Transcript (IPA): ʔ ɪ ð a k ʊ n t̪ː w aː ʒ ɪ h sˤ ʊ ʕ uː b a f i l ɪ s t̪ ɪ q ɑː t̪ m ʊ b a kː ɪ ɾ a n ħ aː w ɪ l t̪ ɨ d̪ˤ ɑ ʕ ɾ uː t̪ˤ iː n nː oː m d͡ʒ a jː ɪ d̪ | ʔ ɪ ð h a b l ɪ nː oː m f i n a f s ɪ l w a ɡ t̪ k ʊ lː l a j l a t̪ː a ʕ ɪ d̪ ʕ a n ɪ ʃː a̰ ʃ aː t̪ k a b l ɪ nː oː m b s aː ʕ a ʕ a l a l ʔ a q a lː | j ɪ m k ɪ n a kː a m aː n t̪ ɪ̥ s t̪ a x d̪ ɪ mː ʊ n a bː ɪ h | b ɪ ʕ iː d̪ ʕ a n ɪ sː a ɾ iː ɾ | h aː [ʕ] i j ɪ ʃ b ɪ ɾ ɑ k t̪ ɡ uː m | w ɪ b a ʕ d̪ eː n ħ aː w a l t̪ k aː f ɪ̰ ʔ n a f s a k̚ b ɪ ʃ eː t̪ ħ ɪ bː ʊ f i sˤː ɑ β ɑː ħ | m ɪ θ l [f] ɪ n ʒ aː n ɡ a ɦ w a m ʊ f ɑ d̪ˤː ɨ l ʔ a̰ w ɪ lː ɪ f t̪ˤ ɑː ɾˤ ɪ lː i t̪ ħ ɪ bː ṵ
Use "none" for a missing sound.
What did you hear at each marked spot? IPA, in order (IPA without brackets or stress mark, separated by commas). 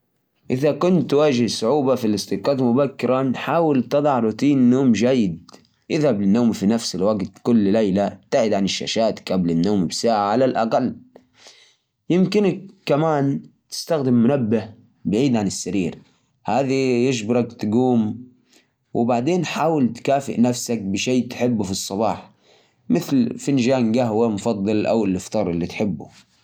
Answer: ð, f